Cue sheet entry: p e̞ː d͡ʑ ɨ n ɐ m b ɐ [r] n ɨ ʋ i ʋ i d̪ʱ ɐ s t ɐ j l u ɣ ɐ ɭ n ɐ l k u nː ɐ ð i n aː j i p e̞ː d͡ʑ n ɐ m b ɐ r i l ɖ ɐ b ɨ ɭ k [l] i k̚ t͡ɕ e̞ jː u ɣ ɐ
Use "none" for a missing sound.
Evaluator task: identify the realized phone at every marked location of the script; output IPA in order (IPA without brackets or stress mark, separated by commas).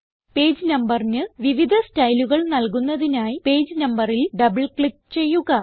r, ɭ